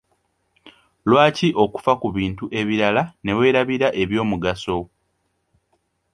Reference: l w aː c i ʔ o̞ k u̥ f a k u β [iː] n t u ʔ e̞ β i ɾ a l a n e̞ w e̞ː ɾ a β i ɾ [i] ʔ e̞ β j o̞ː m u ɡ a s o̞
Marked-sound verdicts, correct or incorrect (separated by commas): correct, incorrect